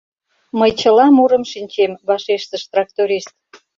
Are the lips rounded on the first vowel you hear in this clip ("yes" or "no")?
no